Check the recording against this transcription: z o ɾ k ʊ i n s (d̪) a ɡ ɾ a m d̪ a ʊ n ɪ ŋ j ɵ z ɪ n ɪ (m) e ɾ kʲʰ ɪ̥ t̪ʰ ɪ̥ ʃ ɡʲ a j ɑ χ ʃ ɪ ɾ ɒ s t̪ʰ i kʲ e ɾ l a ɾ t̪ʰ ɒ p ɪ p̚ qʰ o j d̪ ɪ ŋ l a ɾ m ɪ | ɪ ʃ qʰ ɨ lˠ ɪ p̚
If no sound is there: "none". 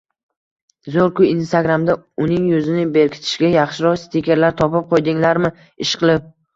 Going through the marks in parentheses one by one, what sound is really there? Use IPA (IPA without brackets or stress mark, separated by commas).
t̪, b